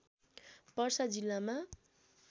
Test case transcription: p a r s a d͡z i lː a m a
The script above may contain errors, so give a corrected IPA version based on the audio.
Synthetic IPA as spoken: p ʌ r s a d͡z i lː a m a